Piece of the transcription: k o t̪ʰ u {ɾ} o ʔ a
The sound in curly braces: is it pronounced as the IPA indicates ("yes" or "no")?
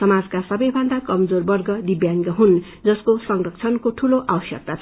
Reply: no